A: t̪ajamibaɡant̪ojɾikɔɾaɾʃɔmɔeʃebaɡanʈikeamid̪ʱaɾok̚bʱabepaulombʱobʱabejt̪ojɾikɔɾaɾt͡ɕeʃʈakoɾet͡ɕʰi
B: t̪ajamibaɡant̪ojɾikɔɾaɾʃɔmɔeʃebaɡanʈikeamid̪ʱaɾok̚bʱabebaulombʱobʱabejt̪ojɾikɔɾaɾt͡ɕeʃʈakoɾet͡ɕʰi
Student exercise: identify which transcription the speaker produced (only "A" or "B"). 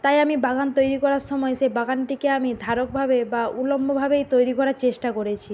B